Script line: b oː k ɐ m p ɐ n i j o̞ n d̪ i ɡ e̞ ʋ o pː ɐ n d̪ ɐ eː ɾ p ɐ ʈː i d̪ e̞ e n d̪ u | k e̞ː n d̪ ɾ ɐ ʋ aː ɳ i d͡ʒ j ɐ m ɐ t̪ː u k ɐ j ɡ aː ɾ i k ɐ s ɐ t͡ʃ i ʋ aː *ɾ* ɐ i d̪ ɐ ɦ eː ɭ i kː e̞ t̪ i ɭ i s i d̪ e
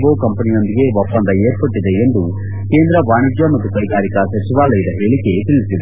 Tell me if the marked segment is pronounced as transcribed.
no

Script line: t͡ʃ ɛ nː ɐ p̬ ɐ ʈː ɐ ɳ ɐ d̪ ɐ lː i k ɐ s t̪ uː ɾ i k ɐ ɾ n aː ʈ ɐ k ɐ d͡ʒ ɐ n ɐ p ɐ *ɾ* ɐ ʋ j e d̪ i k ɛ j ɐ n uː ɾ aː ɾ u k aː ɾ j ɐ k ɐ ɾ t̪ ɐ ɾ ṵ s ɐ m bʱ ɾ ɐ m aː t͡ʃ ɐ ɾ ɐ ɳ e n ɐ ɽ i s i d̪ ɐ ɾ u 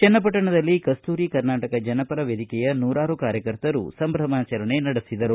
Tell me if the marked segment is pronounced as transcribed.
yes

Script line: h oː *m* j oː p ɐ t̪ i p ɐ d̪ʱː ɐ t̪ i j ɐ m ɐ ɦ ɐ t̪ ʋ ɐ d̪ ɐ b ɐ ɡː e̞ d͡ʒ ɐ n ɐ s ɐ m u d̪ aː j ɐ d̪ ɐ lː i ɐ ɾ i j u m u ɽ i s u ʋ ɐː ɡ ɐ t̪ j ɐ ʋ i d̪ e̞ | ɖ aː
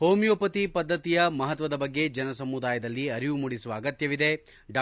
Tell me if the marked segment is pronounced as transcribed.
yes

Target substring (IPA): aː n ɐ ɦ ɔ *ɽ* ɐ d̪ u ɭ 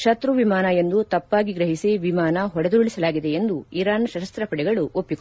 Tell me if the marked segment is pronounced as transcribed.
yes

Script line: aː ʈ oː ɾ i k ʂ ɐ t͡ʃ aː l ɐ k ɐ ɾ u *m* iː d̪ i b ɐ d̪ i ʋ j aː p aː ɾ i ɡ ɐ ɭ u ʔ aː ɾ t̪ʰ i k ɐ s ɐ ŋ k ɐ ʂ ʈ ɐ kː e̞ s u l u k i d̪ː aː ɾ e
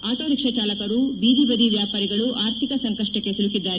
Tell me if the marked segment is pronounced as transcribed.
no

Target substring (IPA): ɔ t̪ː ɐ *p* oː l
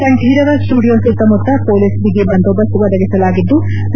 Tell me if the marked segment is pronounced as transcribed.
yes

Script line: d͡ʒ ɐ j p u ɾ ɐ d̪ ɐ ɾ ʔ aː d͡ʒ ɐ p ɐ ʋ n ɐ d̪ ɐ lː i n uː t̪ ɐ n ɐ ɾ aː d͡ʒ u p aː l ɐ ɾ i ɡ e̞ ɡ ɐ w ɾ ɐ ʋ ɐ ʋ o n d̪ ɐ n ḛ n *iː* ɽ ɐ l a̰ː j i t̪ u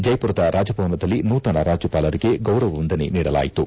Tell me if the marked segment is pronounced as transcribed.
yes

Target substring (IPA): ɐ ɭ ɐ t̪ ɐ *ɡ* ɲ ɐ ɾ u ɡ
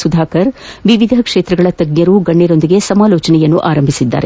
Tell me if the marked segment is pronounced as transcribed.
yes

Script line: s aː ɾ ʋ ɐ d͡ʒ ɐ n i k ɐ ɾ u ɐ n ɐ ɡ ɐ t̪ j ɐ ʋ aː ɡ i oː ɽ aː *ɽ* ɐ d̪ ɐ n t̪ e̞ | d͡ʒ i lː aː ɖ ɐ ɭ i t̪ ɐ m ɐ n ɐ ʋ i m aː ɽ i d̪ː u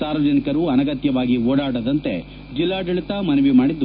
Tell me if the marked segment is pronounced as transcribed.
yes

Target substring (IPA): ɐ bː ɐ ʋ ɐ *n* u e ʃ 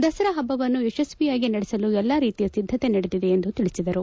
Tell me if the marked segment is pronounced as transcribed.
no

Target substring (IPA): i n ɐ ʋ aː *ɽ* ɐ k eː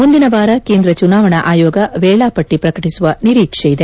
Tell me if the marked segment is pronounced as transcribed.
no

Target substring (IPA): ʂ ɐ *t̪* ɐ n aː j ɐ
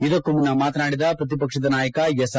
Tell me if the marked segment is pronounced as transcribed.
no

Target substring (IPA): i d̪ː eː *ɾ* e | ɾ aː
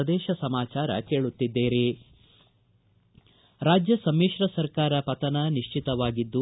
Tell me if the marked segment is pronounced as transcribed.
yes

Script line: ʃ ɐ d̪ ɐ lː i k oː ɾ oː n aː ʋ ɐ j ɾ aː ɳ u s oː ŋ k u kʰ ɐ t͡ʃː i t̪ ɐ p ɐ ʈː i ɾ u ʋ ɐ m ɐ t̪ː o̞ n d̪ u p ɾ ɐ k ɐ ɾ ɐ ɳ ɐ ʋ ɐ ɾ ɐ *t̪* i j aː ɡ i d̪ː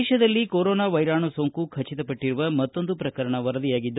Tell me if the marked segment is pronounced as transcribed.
no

